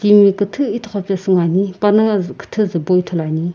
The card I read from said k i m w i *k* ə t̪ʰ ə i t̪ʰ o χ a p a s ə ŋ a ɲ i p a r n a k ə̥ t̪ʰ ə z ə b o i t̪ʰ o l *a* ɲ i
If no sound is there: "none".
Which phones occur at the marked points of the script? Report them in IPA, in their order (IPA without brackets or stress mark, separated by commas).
k, a